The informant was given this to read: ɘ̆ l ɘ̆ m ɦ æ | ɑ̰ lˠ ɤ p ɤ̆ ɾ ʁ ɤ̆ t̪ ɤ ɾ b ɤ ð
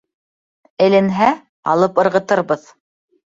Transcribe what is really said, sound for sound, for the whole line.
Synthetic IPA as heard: ɘ̆ l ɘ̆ n ɦ æ | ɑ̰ lˠ ɤ p ɤ̆ ɾ ʁ ɤ̆ t̪ ɤ ɾ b ɤ ð

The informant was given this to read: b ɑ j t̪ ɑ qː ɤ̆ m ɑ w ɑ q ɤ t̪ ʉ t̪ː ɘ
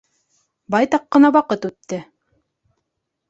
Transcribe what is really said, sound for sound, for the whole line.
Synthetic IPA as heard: b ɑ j t̪ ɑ qː ɤ̆ n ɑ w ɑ q ɤ t̪ ʉ t̪ː ɘ

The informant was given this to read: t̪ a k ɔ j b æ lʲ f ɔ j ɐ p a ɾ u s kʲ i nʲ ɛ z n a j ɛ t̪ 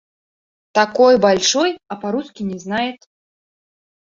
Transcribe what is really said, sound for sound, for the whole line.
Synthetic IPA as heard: t̪ a k ɔ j b a lʲ ʂ ɔ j ɐ p a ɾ u s kʲ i nʲ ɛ z n a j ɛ t̪

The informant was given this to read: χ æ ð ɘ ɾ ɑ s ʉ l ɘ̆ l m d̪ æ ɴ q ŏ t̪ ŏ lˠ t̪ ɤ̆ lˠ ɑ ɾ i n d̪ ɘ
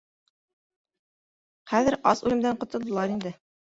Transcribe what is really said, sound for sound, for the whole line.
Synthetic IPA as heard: χ æ ð ɘ ɾ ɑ s ʉ l ɘ̆ m d̪ æ ɴ q ŏ t̪ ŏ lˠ d̪ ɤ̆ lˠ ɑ ɾ i n d̪ ɘ

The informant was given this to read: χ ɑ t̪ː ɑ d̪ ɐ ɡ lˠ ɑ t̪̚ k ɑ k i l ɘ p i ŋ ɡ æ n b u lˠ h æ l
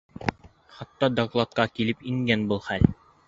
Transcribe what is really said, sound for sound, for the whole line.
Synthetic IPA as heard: χ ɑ t̪ː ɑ d̪ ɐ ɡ lˠ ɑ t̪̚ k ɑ k i l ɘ p i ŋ ɡ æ n b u lˠ χ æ l

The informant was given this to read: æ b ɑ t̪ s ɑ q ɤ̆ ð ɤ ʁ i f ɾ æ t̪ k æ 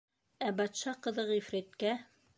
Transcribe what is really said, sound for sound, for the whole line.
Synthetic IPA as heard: æ b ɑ t̪ ʃ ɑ q ɤ̆ ð ɤ ʁ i f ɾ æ t̪ k æ

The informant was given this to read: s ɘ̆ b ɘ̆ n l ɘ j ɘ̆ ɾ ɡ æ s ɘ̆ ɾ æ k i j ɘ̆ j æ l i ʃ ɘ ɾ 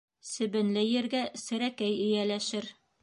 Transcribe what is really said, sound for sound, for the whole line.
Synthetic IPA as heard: s ɘ̆ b ɘ̆ n l ɘ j ɘ̆ ɾ ɡ æ s ɘ̆ ɾ æ k æ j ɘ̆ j æ l æ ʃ ɘ ɾ

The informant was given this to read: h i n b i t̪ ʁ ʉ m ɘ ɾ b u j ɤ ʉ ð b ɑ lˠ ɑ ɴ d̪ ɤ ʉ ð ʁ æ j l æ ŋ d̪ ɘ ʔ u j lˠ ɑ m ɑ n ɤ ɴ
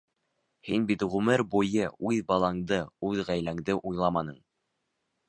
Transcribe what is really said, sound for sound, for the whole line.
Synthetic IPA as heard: h i n b i t̪ ʁ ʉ m ɘ ɾ b u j ɤ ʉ ð b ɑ lˠ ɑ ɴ d̪ ɤ ʉ ð ʁ æ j l æ ŋ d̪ ɘ ʔ u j lˠ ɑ m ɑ n ɤ ɴ

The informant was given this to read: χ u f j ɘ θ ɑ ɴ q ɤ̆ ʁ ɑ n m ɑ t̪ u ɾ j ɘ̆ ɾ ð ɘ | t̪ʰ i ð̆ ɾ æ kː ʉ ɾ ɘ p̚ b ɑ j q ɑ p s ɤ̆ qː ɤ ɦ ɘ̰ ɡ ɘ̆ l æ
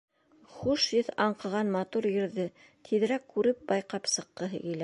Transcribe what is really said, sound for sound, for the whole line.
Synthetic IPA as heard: χ u ʃ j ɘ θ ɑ ɴ q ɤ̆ ʁ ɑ n m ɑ t̪ u ɾ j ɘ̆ ɾ ð ɘ | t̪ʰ i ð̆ ɾ æ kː ʉ ɾ ɘ p̚ b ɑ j q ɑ p s ɤ̆ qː ɤ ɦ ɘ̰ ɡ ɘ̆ l æ

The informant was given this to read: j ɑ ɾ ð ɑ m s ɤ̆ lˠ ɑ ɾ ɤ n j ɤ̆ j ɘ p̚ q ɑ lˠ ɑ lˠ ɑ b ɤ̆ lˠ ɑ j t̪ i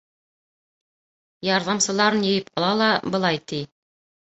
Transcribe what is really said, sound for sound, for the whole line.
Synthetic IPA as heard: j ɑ ɾ ð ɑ m s ɤ̆ lˠ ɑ ɾ ɤ n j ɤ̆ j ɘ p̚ q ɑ lˠ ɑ lˠ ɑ b ɤ̆ lˠ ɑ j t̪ i

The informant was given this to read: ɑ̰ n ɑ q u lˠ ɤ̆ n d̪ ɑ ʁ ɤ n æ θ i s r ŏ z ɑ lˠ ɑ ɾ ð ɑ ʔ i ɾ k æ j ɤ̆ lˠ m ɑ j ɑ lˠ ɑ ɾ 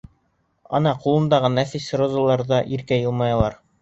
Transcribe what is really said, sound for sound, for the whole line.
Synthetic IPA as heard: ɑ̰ n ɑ q u lˠ ɤ̆ n d̪ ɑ ʁ ɤ n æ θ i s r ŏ z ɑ lˠ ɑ ɾ ð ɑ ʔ i ɾ k æ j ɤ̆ lˠ m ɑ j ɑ lˠ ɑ ɾ

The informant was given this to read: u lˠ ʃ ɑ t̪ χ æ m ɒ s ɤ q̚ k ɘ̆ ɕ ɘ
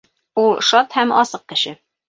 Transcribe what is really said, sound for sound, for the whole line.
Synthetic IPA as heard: u lˠ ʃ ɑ t̪ h æ m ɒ s ɤ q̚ k ɘ̆ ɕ ɘ

